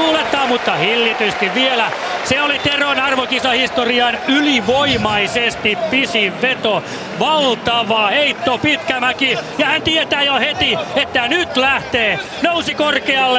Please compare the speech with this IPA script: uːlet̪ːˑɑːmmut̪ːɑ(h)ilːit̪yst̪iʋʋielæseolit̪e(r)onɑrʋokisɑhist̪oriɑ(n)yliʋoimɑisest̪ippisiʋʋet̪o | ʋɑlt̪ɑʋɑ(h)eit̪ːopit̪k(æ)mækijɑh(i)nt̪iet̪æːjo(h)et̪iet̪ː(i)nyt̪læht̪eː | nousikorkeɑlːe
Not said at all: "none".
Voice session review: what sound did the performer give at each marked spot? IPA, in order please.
h, r, n, h, æ, æ, h, æ

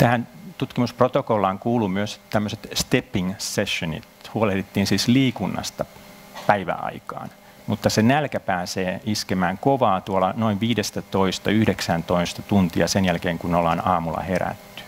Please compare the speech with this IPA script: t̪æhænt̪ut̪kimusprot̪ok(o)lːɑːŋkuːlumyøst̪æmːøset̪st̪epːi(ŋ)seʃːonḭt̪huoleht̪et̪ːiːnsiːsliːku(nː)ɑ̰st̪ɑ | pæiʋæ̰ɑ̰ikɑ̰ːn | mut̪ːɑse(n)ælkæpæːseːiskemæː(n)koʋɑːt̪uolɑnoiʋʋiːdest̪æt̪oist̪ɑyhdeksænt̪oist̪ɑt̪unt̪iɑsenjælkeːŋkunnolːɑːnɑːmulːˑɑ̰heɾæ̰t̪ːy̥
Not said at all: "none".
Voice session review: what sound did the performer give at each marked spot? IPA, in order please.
o, ŋ, nː, n, ŋ

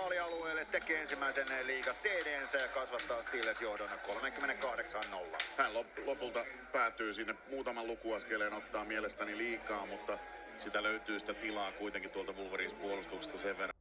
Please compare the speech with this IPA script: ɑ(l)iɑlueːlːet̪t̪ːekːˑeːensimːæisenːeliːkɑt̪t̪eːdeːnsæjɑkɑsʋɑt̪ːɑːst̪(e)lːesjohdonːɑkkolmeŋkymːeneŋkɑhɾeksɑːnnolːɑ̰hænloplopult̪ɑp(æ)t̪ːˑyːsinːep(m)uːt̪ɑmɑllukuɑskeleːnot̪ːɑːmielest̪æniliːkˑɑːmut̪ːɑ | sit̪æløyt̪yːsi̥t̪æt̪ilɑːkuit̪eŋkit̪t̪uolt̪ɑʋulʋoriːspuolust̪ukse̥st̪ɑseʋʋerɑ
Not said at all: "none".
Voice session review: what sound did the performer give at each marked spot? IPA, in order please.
l, i, æː, m

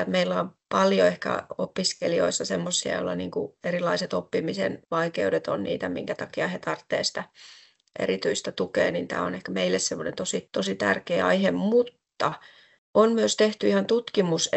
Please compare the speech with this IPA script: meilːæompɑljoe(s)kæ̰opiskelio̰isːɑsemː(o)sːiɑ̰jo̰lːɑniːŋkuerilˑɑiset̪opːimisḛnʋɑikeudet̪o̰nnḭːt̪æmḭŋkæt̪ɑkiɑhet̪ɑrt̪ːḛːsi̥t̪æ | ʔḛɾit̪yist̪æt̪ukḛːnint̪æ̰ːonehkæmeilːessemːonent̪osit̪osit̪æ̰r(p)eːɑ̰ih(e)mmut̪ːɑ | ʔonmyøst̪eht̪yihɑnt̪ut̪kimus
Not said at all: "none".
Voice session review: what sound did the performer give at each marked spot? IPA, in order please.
h, o, k, e

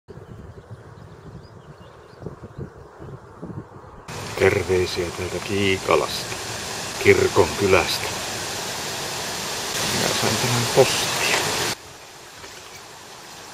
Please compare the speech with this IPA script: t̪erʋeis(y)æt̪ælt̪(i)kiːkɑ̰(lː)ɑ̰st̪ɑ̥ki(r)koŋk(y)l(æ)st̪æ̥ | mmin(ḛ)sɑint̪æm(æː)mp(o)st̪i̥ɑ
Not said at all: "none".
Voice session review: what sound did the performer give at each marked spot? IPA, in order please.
i, æ, l, r, y, æ, æ̰, æ, o

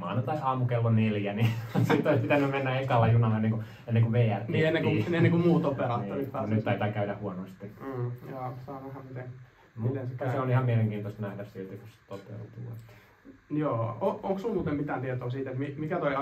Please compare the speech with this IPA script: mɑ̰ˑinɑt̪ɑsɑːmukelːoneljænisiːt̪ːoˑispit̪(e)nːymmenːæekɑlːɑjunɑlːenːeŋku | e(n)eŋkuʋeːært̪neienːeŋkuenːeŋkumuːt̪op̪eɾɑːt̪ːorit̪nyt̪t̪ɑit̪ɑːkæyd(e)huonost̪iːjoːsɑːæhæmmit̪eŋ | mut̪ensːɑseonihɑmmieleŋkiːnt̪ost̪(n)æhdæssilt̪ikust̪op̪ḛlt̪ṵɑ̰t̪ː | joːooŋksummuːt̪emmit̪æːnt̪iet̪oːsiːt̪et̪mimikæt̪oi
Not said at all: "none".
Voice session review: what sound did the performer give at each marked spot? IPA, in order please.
æ, nː, æ, n

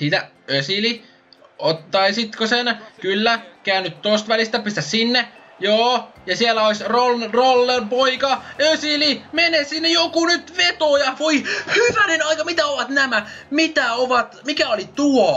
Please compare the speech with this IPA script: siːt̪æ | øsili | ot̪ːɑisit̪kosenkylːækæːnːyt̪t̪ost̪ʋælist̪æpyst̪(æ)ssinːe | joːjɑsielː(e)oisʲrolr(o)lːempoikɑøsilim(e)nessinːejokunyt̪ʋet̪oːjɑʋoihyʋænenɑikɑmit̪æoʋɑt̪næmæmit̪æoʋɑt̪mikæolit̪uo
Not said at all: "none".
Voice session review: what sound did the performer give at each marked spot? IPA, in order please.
æ, æ, o, e

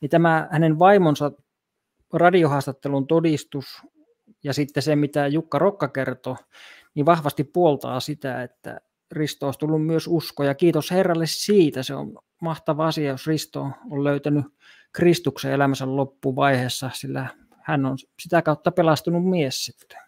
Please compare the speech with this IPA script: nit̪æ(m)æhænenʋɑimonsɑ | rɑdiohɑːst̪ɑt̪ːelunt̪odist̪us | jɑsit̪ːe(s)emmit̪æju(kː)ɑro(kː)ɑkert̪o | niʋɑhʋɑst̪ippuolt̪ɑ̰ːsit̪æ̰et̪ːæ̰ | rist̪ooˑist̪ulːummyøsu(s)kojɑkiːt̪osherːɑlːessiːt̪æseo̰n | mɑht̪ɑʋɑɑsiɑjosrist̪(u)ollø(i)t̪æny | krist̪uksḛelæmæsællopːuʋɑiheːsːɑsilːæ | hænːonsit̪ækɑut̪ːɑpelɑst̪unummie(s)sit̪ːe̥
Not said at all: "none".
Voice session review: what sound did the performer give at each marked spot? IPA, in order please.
m, s, kː, kː, s, o, y, s

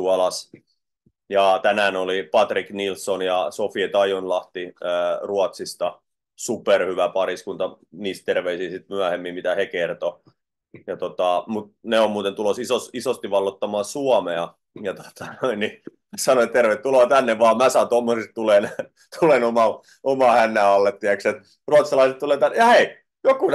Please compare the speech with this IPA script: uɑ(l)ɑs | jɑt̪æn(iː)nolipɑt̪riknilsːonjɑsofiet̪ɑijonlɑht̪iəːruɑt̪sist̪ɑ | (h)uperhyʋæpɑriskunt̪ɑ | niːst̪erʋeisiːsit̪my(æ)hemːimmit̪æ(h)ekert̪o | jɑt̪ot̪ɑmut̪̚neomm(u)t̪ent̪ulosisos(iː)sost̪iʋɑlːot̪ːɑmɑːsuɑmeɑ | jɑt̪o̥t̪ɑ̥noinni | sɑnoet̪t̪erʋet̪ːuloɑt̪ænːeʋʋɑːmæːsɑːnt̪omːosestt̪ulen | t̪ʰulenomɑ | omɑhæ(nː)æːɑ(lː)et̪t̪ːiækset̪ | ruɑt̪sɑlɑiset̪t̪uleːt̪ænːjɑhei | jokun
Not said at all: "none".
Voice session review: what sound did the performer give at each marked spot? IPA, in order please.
l, æː, s, æ, h, uː, i, nː, lː

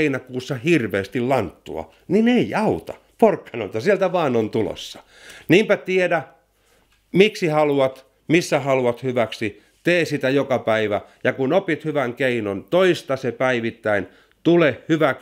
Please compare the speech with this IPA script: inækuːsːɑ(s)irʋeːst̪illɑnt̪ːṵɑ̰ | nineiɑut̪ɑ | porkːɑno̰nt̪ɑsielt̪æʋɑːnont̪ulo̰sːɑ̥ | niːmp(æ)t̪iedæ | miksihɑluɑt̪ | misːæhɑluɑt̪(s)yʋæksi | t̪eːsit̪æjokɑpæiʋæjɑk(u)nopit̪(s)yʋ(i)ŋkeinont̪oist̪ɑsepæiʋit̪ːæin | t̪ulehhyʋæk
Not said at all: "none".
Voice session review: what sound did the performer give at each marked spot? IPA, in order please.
h, æ, h, u, h, æ

